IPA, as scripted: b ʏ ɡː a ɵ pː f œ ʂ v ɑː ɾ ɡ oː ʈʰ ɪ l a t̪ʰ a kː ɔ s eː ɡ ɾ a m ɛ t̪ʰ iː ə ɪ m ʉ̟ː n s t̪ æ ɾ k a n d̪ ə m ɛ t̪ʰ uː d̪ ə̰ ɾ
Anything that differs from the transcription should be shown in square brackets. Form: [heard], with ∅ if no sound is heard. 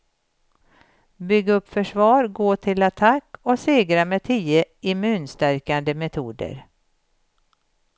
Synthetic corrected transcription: b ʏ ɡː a ɵ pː f œ ʂ v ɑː ɾ ɡ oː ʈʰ ɪ l a t̪ʰ a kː ɔ s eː ɡ ɾ a m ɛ t̪ʰ iː ə ɪ m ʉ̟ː n s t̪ æ ɾ k a n d̪ ə m ɛ t̪ʰ uː d̪ ə̰ ɾ